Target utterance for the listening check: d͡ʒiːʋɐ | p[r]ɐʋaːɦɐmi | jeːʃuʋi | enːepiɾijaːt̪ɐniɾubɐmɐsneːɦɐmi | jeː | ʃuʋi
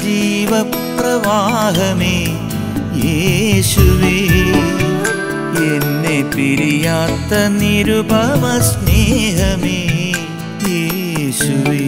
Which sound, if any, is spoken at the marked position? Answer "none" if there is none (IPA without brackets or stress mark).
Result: ɾ